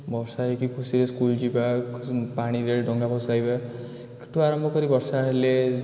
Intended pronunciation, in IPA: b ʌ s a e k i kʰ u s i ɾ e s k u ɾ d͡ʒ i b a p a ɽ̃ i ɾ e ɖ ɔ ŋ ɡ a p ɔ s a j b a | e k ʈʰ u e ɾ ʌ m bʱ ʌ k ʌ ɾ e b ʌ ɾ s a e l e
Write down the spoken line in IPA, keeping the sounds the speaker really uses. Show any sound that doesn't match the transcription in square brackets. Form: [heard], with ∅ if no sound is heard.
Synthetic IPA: b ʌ s a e k i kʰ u s i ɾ e s k u [l] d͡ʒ i b a p a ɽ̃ i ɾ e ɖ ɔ ŋ ɡ a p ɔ s a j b a | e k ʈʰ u [a] ɾ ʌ m bʱ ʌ k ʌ ɾ [i] b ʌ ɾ s a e l e